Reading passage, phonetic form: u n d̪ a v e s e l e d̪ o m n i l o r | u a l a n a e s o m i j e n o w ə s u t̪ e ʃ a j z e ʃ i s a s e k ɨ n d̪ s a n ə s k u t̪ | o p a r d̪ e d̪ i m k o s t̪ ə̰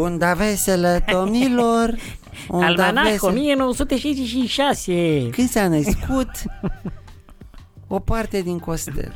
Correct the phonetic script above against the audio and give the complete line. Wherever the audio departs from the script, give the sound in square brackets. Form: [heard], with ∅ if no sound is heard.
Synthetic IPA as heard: u n d̪ a v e s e l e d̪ o m n i l o r | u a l a n a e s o m i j e n o w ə s u t̪ e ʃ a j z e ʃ i [ʃ] a s e k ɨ n d̪ s a n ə s k u t̪ | o p a r [t̪] e d̪ i [ŋ] k o s t̪ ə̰